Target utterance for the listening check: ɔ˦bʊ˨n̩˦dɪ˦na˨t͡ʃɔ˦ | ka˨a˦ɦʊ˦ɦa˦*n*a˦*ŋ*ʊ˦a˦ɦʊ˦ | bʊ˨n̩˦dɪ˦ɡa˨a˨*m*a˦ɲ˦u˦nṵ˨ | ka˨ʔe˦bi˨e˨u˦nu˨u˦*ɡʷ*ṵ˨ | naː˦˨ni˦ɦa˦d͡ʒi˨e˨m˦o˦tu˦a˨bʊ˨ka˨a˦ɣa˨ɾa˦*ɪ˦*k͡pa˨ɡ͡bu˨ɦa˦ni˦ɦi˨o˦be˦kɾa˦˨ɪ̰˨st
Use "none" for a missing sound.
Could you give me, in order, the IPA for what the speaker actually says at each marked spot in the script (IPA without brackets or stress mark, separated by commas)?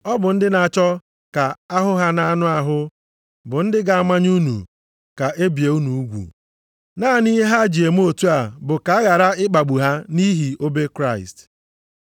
n, n, m, ɡʷ, ɪ˦